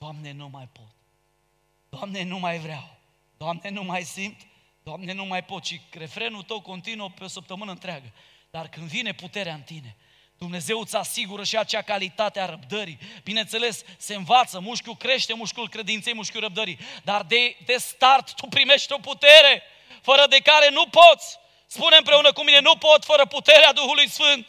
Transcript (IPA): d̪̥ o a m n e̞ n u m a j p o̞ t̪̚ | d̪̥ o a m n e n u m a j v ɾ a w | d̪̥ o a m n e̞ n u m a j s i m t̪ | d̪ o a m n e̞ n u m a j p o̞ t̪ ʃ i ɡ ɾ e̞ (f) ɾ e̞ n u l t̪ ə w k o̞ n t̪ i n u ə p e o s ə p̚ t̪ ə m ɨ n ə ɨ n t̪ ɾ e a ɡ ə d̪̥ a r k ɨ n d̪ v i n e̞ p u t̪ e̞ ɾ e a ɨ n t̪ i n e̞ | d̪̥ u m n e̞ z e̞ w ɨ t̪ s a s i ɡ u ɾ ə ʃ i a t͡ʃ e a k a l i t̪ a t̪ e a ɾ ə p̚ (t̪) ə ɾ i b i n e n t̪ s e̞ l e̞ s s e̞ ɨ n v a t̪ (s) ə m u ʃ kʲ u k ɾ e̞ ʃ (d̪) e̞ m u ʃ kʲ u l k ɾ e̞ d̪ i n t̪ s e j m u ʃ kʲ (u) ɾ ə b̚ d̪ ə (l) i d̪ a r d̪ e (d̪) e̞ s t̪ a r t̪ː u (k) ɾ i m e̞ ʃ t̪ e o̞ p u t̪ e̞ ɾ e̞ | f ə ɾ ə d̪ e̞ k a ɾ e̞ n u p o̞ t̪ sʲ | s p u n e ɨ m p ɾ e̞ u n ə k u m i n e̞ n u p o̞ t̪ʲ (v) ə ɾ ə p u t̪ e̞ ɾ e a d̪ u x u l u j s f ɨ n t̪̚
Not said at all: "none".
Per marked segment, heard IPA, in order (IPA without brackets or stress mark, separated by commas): f, d̪, s, t̪, u, ɾ, d̪, p, f